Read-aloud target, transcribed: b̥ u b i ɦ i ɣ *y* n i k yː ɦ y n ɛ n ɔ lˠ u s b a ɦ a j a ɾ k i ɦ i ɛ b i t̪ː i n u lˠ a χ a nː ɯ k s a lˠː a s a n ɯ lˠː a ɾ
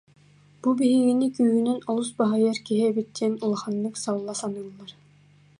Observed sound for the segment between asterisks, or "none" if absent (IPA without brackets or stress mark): i